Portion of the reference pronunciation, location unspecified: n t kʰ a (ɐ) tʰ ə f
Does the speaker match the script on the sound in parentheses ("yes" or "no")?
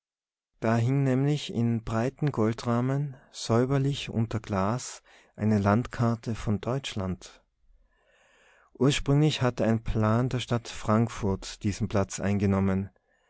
yes